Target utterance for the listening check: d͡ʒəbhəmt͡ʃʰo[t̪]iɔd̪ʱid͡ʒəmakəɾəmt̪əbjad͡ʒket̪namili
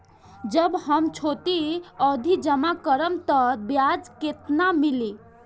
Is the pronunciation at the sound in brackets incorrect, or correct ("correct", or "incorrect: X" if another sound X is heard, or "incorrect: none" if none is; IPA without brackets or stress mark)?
correct